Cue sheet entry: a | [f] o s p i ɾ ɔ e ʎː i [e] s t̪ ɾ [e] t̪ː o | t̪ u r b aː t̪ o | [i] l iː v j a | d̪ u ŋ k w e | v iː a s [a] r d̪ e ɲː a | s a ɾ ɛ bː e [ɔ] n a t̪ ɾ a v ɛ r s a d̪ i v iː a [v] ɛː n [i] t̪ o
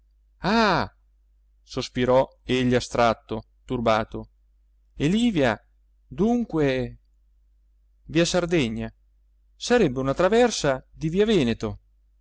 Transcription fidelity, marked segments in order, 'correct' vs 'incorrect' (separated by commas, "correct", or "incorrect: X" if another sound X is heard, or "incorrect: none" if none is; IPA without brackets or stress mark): incorrect: s, incorrect: a, incorrect: a, incorrect: e, correct, incorrect: u, correct, incorrect: e